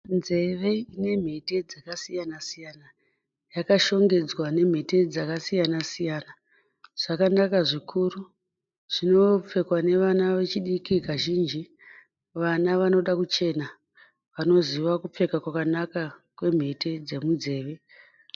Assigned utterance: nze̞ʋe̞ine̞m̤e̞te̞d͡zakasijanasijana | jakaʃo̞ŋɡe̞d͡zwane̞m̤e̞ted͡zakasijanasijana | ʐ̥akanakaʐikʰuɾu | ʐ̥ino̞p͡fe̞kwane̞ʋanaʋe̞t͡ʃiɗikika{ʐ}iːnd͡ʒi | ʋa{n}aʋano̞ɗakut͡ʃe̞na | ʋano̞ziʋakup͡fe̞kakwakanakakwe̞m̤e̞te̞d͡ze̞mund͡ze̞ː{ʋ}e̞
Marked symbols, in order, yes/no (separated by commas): no, yes, yes